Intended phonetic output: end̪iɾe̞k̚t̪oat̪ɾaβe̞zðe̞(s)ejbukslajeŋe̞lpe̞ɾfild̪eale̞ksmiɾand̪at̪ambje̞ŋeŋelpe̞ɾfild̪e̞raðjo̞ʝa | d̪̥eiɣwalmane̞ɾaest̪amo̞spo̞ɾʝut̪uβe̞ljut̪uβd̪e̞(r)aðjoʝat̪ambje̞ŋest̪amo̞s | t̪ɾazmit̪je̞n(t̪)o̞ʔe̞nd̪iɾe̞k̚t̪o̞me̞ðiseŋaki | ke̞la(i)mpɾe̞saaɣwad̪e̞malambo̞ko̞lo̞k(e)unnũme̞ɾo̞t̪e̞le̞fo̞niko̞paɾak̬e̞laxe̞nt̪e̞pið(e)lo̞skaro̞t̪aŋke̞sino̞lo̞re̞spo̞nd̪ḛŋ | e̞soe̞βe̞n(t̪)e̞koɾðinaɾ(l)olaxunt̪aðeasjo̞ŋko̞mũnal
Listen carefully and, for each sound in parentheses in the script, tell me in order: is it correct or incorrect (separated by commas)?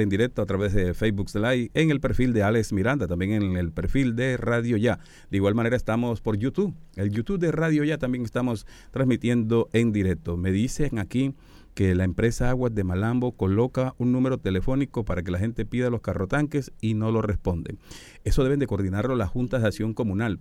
incorrect, correct, incorrect, incorrect, incorrect, incorrect, incorrect, correct